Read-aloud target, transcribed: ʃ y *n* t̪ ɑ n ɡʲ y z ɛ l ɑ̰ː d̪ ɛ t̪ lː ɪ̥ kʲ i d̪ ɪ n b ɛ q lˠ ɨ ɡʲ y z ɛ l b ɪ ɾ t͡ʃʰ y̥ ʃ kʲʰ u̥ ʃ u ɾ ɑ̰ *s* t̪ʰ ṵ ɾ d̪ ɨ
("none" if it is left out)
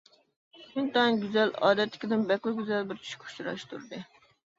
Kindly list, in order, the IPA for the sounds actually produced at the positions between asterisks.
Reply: n, ʃ

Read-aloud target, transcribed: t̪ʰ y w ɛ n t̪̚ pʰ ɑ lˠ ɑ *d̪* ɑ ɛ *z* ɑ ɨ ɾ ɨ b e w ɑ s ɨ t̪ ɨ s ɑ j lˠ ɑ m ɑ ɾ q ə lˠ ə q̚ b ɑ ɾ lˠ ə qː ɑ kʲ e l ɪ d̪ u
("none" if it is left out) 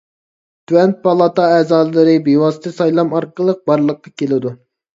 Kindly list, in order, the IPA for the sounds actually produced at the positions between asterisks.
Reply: t̪, z

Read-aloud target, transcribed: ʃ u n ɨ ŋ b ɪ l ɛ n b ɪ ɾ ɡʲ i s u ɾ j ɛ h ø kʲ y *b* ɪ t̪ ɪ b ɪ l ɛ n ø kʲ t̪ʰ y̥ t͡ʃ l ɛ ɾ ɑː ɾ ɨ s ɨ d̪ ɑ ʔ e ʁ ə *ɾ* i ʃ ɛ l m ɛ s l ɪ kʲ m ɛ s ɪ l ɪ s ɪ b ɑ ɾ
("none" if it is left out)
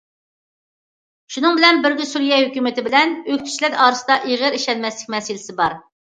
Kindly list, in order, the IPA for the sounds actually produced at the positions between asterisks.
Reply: m, ɾ

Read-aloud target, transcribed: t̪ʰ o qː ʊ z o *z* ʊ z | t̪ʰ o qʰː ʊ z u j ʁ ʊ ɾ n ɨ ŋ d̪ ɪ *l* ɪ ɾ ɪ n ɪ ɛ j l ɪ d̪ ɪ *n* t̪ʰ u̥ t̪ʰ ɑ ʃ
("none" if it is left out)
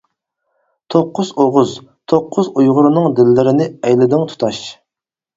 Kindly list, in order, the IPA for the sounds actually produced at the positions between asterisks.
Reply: ʁ, lː, ŋ

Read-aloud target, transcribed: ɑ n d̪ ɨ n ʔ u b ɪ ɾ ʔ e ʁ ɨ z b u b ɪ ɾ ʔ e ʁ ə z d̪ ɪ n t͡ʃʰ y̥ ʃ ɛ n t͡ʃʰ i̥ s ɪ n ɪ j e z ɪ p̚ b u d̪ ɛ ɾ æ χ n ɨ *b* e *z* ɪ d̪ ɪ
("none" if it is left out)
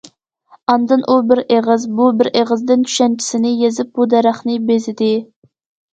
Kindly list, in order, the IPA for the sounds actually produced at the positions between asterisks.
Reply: b, z

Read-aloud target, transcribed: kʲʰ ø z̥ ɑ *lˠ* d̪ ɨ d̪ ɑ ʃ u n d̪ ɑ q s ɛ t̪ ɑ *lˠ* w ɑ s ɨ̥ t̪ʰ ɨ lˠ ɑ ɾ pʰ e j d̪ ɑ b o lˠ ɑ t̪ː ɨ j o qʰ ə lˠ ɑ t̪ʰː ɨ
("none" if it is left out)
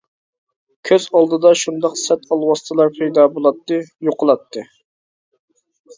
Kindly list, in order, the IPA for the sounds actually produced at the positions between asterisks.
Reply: lˠ, lˠ

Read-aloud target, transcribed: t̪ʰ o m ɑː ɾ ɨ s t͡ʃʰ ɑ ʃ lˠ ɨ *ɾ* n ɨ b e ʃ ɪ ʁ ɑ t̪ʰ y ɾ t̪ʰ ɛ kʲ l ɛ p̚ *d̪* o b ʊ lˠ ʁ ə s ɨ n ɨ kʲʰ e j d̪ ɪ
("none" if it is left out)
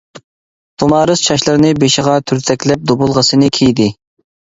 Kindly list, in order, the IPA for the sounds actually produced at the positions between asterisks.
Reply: ɾ, d̪

